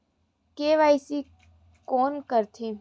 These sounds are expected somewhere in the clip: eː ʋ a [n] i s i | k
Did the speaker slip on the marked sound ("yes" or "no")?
yes